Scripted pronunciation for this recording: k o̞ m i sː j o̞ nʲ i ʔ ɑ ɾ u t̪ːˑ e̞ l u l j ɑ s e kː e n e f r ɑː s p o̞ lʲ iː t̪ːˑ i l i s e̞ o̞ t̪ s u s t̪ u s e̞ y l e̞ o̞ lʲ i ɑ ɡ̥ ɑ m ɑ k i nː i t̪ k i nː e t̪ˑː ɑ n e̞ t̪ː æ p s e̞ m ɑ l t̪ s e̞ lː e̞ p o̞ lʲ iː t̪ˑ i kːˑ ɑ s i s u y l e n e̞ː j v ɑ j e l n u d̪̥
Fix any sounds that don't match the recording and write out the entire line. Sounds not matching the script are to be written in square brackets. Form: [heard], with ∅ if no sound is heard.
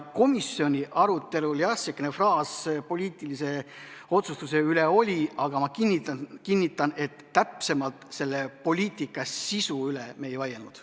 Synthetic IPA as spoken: k o̞ m i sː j o̞ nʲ i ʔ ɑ ɾ u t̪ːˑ e̞ l u l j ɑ s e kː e n e f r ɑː s p o̞ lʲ iː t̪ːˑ i l i s e̞ o̞ t̪ s u s t̪ u s e̞ y l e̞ o̞ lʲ i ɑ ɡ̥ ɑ m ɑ k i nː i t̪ k i nː [i] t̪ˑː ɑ n e̞ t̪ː æ p s e̞ m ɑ l t̪ s e̞ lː e̞ p o̞ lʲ iː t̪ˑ i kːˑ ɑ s i s u y l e [m] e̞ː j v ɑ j e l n u d̪̥